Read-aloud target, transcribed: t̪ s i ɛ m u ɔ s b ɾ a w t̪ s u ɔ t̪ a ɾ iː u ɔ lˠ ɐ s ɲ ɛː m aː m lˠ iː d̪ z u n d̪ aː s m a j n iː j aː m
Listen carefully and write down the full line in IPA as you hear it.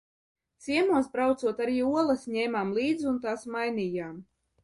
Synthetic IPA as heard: t̪ s i ɛ m u ɔ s b ɾ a w t̪ s u ɔ t̪ a ɾ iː u ɔ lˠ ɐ s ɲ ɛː m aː m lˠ iː d̪ z u n t̪ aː s m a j n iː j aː m